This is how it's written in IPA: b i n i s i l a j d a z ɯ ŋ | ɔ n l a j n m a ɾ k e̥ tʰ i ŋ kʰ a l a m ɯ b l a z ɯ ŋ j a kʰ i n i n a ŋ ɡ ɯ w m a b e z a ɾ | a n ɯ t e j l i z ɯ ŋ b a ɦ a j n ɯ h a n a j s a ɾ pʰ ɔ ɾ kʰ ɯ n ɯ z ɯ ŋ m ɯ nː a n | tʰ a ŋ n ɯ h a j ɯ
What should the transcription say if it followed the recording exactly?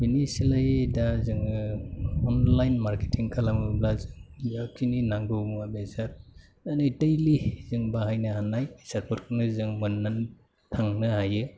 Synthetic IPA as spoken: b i n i s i l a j d a z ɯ ŋ | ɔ n l a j n m a ɾ k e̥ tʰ i ŋ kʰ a l a m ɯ b l a z ɯ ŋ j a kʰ i n i n a ŋ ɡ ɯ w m a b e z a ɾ | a n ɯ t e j l i z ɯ ŋ b a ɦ a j n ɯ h a n a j s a ɾ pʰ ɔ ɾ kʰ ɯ n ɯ z ɯ ŋ m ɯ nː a n | tʰ a ŋ n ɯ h a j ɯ